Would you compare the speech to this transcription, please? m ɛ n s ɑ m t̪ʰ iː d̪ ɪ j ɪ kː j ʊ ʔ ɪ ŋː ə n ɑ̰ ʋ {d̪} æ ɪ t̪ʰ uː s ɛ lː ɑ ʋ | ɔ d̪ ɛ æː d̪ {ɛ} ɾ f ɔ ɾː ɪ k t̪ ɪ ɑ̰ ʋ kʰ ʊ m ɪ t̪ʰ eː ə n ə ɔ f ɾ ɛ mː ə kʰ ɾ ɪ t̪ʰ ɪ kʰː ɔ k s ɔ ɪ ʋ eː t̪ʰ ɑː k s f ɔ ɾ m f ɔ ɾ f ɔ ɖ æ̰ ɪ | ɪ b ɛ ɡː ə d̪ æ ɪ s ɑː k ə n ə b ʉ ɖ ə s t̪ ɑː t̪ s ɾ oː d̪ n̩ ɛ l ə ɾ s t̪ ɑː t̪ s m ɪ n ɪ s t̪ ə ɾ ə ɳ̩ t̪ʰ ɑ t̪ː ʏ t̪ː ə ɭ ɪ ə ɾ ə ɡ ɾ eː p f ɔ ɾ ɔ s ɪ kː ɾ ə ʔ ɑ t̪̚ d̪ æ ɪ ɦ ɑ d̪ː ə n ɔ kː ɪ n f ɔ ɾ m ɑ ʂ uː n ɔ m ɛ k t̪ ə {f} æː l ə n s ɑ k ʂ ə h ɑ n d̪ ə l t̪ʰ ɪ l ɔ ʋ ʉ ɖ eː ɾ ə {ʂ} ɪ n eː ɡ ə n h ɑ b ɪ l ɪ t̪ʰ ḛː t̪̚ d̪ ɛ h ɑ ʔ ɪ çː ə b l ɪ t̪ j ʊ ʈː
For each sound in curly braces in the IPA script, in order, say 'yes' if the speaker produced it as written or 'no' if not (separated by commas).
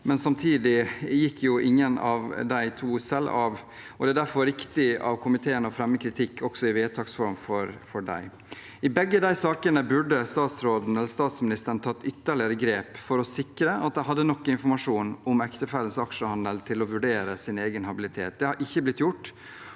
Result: yes, no, yes, no